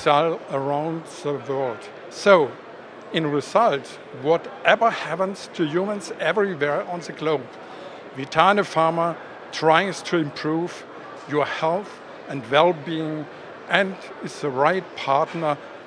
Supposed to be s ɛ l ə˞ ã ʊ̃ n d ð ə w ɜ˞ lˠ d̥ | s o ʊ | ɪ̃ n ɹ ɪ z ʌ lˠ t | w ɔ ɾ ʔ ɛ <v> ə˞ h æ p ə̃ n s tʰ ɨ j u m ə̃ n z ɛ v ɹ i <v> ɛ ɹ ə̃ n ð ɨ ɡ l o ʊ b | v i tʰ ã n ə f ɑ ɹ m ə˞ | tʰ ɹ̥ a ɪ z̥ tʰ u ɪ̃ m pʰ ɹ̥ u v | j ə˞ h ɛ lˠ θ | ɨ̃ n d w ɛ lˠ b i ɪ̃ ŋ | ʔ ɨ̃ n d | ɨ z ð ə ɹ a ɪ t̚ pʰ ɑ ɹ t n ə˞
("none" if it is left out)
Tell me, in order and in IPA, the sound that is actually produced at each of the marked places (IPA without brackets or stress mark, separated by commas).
v, w